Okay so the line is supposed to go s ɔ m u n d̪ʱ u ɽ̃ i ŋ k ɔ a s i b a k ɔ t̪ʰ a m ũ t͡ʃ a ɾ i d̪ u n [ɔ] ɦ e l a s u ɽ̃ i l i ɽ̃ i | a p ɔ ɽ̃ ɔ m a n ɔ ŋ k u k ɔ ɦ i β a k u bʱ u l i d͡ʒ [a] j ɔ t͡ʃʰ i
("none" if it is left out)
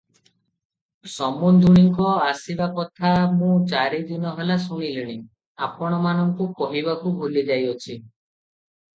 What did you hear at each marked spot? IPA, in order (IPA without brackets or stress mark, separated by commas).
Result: ɔ, a